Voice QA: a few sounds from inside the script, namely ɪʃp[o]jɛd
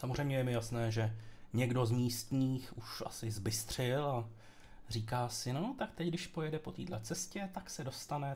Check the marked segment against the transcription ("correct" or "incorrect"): correct